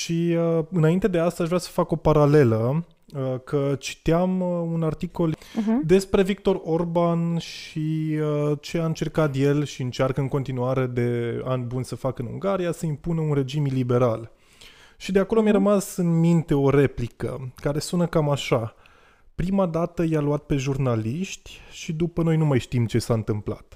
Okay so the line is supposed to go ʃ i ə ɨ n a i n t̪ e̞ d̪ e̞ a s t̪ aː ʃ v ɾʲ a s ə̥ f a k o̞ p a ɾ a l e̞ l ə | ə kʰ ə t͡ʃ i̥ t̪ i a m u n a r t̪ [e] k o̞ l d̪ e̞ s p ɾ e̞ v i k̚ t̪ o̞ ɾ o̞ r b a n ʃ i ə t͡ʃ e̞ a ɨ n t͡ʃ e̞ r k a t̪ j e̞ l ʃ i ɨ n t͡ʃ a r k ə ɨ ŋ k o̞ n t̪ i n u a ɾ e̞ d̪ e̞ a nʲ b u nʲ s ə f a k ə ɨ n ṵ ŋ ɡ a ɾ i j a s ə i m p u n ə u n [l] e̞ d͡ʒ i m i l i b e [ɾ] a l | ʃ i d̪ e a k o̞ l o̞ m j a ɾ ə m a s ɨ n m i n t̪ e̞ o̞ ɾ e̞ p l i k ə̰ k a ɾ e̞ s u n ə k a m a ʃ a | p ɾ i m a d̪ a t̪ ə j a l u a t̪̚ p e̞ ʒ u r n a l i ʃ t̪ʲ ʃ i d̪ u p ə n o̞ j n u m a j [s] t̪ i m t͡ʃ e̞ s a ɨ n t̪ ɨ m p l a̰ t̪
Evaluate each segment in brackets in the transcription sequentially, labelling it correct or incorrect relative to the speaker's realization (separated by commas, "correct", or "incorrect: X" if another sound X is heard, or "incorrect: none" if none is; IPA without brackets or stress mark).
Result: incorrect: i, incorrect: r, correct, incorrect: ʃ